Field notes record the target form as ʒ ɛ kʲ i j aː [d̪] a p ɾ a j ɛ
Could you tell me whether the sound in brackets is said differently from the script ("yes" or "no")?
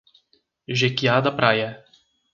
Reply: no